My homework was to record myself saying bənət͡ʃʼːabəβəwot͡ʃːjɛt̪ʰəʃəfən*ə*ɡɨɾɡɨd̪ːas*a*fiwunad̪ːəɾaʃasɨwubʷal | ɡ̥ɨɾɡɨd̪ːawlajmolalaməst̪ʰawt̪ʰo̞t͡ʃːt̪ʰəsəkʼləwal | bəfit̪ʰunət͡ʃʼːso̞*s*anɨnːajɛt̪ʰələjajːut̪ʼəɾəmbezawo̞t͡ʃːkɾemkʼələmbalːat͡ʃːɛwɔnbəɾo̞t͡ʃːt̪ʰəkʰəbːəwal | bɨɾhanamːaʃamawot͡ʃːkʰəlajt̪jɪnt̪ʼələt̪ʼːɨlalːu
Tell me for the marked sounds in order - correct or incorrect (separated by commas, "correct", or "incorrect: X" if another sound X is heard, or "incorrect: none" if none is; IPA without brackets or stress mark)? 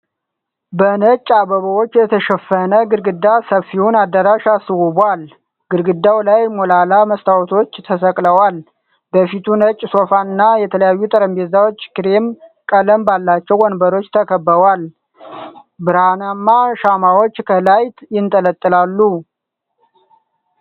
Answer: correct, incorrect: ə, incorrect: f